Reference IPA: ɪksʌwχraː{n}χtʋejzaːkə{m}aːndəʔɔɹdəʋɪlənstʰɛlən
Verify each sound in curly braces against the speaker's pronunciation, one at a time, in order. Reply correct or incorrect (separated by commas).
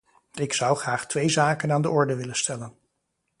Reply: incorrect, incorrect